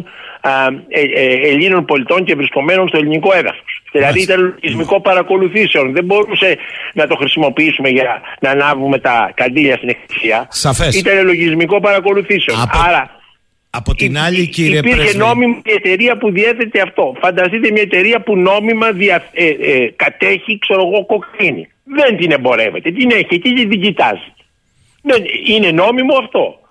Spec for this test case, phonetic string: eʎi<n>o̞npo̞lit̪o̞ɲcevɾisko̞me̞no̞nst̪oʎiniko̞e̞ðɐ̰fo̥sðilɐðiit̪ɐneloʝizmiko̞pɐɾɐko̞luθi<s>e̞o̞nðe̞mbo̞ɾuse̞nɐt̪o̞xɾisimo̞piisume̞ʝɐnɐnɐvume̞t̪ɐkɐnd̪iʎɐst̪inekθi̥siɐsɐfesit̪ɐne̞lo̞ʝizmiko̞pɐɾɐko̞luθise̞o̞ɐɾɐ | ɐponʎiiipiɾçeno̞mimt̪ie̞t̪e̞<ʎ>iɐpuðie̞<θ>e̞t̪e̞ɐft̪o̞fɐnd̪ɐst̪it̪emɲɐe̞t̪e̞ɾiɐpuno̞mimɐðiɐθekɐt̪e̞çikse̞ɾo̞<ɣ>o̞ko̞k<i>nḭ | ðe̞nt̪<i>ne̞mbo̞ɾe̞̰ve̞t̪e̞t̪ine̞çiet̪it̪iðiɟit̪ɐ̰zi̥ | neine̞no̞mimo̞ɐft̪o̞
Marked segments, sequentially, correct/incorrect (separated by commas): correct, correct, incorrect, correct, correct, correct, correct